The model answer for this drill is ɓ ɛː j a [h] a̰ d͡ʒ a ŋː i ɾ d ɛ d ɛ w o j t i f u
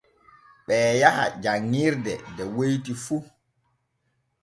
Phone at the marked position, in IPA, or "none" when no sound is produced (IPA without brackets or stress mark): h